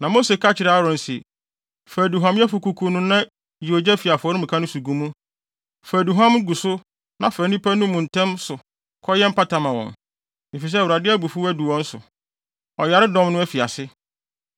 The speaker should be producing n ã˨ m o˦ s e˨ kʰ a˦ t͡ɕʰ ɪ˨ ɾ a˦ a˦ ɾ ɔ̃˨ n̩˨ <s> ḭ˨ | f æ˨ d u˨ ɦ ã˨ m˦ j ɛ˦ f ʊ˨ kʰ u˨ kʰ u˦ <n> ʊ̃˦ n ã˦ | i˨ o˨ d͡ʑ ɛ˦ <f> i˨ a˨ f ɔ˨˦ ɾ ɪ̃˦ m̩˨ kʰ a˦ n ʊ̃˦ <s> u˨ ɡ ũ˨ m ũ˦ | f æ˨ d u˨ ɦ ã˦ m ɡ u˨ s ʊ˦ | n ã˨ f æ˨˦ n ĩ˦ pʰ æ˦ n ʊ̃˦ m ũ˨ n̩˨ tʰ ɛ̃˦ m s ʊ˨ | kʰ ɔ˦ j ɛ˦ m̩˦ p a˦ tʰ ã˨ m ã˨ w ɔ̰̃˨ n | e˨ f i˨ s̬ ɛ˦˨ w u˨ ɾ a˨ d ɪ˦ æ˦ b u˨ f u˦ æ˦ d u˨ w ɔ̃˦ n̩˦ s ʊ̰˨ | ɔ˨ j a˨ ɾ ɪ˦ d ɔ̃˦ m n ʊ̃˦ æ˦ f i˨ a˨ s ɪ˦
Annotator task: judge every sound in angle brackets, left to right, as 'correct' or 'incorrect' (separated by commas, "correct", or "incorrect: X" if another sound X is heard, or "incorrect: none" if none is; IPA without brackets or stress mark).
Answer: correct, correct, correct, correct